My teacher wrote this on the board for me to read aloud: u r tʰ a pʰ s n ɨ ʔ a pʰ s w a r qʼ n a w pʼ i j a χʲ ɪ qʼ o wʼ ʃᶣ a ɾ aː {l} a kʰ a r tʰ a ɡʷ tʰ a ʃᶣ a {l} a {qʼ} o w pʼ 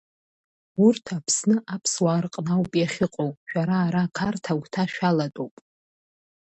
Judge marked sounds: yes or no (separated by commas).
no, yes, no